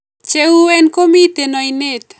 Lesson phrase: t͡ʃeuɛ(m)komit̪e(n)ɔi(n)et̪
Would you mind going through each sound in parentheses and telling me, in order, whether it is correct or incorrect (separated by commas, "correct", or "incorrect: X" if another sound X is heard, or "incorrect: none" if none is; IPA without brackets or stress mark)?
incorrect: n, correct, correct